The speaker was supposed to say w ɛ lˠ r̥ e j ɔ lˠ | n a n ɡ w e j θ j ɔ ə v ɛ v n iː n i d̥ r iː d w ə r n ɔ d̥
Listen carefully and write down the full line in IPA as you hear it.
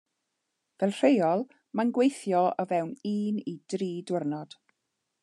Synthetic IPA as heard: v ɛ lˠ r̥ e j ɔ lˠ | m a n ɡ w e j θ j ɔ ə v ɛ w n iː n i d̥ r iː d w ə r n ɔ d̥